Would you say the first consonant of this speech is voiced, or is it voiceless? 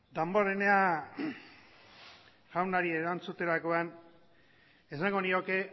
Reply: voiced